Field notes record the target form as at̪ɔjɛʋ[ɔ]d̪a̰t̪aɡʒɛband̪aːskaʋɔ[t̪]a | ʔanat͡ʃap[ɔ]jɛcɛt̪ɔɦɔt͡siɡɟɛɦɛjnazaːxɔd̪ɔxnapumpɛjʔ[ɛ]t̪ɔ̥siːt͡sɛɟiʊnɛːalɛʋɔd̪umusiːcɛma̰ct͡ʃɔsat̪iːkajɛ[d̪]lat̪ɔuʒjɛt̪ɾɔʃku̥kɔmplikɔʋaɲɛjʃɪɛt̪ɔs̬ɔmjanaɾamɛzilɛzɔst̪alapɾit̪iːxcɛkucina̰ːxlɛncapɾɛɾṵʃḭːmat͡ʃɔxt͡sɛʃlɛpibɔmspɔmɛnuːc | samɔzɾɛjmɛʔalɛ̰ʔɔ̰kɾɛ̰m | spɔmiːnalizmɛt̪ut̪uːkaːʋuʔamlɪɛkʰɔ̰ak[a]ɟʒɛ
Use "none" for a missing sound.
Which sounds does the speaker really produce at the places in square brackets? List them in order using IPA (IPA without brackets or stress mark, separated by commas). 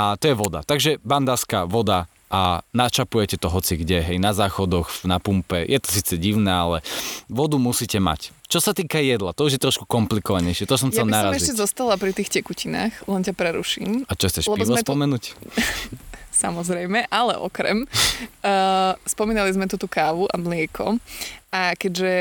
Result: ɔ, d̪, u, ɛ, d̪, ɛ